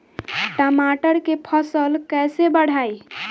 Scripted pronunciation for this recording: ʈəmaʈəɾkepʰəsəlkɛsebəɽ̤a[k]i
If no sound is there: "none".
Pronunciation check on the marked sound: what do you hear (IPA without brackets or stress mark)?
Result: none